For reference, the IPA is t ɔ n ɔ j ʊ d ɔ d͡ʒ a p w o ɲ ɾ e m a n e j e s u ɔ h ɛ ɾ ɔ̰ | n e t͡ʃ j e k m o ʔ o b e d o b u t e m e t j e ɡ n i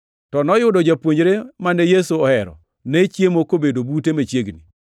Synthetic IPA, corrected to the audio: t ɔ n ɔ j ʊ d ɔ d͡ʒ a p w o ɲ ɾ e m a n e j e s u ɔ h ɛ ɾ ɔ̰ | n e t͡ʃ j e m o k o b e d o b u t e m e t͡ʃ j e ɡ n i